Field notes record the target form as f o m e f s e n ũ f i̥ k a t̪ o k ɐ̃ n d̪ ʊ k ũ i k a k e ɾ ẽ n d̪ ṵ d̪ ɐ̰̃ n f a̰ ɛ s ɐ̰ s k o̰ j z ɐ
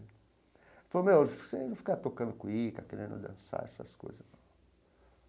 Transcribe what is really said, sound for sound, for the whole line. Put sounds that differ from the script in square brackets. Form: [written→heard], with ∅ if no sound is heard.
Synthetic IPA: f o m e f s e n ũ f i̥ k a t̪ o k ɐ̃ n d̪ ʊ k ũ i k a k e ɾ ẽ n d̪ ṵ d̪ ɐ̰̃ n [f→s] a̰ ɛ s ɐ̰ s k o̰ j z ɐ